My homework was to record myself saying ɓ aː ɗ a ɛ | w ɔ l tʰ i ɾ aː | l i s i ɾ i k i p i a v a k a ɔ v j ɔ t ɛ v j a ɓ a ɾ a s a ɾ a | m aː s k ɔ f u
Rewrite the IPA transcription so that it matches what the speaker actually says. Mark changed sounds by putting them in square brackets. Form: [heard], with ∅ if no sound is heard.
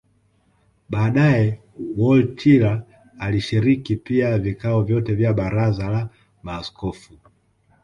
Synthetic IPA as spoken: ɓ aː ɗ a ɛ | w ɔ l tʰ i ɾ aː | l i [ʃ] i ɾ i k i p i a v [i] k a ɔ v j ɔ t ɛ v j a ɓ a ɾ a [z] a [l] a | m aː s k ɔ f u